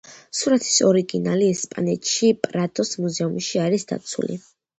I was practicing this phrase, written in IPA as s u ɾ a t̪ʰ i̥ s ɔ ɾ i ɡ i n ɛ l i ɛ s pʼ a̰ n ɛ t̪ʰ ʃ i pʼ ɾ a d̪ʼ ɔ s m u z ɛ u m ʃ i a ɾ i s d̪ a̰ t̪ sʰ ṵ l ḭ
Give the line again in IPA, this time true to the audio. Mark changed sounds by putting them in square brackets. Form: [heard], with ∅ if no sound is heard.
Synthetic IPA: s u ɾ a t̪ʰ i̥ s ɔ ɾ i ɡ i n [a] l i ɛ s pʼ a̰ n ɛ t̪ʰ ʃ i pʼ ɾ a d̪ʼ ɔ s m u z ɛ u m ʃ i a ɾ i s d̪ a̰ t̪ sʰ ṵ l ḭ